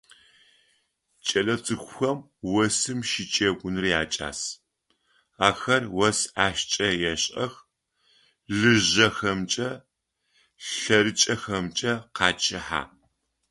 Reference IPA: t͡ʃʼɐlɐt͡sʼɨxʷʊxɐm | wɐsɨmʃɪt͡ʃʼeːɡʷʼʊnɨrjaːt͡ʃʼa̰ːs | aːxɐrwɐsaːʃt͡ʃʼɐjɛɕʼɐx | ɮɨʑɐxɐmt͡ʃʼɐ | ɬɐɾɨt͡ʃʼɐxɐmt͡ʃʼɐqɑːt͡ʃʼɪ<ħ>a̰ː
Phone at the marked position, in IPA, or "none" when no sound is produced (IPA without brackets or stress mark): ħ